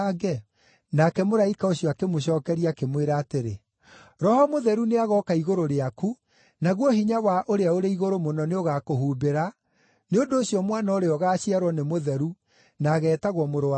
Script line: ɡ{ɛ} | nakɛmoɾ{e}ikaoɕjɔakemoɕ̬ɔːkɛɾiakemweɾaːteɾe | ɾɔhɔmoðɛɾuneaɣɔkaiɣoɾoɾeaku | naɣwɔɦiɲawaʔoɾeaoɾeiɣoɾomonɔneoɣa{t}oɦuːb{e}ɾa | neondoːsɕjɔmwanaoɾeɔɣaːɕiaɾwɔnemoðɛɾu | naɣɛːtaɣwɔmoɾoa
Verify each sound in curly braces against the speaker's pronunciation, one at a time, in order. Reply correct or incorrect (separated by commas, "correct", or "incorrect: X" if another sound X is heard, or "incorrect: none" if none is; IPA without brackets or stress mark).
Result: correct, incorrect: a, incorrect: k, correct